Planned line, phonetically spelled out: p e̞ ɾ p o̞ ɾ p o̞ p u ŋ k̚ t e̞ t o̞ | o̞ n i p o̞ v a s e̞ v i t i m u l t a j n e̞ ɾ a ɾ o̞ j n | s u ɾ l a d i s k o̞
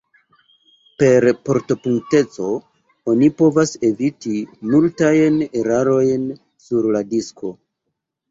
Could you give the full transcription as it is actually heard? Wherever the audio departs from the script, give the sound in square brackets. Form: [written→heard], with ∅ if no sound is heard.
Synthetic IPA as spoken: p e̞ ɾ p o̞ ɾ [p→t] o̞ p u ŋ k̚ t e̞ [t→t͡s] o̞ | o̞ n i p o̞ v a s e̞ v i t i m u l t a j n e̞ ɾ a ɾ o̞ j n | s u ɾ l a d i s k o̞